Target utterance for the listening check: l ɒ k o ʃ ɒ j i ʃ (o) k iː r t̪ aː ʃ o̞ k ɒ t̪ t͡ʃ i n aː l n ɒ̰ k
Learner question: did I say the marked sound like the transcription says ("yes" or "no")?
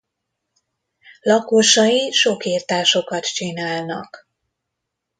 yes